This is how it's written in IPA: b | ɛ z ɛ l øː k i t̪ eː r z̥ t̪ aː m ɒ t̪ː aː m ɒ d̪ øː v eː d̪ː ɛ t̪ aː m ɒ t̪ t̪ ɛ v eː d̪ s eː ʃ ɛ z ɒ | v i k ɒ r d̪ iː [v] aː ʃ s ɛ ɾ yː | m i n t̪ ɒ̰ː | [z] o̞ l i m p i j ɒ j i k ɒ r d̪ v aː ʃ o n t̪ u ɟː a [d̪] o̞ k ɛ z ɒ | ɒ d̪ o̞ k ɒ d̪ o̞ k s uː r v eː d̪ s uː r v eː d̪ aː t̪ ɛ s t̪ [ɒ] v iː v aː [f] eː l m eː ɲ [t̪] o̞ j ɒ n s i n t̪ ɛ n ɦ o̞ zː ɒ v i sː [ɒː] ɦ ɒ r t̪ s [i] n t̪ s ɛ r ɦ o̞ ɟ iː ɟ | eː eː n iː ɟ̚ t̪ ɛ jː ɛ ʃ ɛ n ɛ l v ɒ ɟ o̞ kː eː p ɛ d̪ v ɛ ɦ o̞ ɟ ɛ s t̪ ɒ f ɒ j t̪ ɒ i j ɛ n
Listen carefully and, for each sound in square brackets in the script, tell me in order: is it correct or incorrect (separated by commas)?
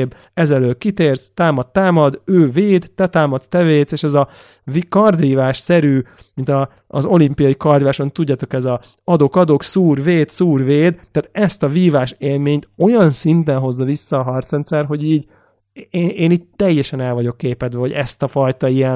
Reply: correct, correct, incorrect, correct, incorrect, correct, correct, incorrect